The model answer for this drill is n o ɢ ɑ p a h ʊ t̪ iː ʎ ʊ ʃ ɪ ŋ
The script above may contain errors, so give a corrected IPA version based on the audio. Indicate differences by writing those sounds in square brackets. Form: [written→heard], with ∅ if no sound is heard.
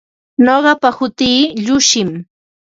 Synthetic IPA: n o ɢ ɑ p a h ʊ t̪ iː ʎ ʊ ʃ ɪ [ŋ→m]